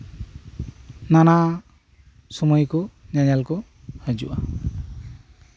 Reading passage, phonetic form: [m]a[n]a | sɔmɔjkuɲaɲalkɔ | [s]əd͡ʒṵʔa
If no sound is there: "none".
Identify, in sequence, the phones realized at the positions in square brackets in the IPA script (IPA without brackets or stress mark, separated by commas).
n, n, h